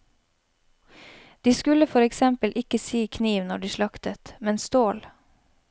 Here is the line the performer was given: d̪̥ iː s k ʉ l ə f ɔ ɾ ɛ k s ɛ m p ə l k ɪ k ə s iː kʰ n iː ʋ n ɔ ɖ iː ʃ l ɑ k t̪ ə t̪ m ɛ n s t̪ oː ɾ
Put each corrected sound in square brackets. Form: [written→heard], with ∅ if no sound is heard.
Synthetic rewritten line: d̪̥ iː s k ʉ l ə f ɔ ɾ ɛ k s ɛ m p ə l [k→ʔ] ɪ k ə s iː kʰ n iː ʋ n ɔ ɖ iː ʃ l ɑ k t̪ ə t̪ m ɛ n s t̪ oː [ɾ→l]